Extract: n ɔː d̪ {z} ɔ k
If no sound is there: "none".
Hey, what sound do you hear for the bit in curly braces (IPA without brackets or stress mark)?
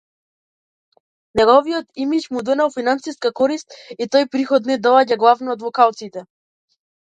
v